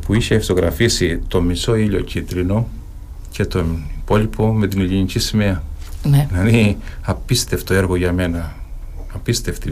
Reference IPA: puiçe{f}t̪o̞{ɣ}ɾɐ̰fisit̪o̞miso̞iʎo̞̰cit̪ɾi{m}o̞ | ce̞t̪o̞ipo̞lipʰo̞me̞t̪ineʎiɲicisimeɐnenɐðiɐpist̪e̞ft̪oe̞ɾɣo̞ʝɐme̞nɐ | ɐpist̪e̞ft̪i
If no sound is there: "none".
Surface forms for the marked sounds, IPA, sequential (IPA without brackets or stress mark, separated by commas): f, ɣ, n